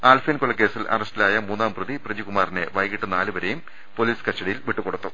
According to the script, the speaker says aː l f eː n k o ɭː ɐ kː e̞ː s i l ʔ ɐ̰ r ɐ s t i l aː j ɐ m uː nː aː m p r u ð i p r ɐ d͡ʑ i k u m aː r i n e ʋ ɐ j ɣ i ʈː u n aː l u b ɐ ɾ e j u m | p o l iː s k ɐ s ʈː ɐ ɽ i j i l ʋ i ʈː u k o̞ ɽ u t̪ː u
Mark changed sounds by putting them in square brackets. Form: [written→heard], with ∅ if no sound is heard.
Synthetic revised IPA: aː l f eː n k o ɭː ɐ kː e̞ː s i l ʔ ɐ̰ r ɐ s t i l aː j ɐ m uː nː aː m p r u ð i p r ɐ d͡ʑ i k u m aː r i n e ʋ ɐ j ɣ i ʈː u n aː l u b ɐ ɾ e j u m | p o l iː s k ɐ s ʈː ɐ ɽ i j i l ʋ i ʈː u k o̞ ɽ u t̪ː u